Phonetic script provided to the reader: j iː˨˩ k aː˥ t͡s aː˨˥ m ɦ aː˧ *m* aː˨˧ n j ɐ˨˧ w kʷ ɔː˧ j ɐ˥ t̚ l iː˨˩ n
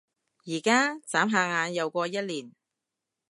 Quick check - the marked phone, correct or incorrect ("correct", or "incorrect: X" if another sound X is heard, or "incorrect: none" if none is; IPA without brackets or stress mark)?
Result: incorrect: ŋ